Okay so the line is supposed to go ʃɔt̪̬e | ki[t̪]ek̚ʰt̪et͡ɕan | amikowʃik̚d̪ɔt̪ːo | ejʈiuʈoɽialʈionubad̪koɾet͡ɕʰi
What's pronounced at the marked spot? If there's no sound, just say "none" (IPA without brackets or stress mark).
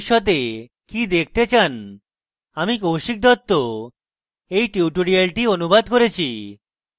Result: d̪